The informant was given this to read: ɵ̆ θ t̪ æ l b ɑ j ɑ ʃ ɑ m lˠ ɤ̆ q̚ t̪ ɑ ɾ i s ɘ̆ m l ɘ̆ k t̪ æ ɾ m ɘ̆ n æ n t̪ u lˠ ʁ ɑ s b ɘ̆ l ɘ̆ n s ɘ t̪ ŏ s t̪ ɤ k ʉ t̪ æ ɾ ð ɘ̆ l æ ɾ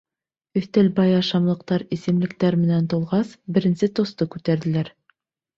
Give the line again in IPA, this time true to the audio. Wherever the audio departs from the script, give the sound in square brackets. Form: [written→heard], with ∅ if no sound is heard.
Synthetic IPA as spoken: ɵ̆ θ t̪ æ l b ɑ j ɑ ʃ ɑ m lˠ ɤ̆ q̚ t̪ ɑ ɾ i s ɘ̆ m l ɘ̆ k t̪ æ ɾ m ɘ̆ n æ n t̪ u lˠ ʁ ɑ s b ɘ̆ [l→ɾ] ɘ̆ n s ɘ t̪ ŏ s t̪ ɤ k ʉ t̪ æ ɾ ð ɘ̆ l æ ɾ